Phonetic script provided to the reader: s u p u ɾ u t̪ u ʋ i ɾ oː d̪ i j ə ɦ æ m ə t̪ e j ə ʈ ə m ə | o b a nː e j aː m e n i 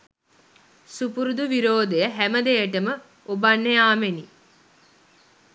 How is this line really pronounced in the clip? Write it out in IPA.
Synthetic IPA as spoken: s u p u ɾ u d̪ u ʋ i ɾ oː d̪ e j ə ɦ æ m ə d̪ e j ə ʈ ə m ə | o b a nː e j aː m e n i